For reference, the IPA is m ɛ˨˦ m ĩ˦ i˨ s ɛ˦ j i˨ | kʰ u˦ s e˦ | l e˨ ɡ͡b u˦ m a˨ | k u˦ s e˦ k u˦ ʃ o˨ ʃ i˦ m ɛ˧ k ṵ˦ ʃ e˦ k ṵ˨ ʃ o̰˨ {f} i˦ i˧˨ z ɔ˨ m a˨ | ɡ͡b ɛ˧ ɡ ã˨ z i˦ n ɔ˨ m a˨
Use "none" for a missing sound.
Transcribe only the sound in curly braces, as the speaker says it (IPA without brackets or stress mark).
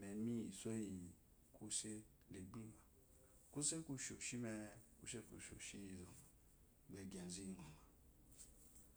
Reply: ʃ